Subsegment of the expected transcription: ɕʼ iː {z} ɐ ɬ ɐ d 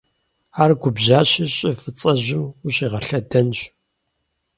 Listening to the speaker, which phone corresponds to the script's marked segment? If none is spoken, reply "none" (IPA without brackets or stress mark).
ʁ